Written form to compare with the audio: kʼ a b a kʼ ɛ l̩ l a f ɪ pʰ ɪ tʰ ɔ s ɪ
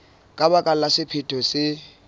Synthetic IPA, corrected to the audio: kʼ a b a kʼ a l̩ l a s ɪ pʰ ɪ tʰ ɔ s ɪ